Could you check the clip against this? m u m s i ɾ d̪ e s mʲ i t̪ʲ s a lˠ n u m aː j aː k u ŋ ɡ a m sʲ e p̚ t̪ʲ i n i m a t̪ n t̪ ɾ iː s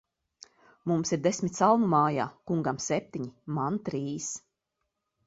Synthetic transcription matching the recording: m u m s i ɾ d̪ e s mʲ i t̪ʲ s a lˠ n u m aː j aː k u ŋ ɡ a m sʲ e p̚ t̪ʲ i ɲ i m a n t̪ ɾ iː s